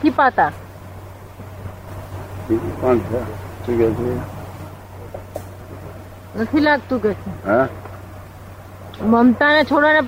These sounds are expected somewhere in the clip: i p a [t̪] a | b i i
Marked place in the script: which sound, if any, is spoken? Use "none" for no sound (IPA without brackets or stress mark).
t̪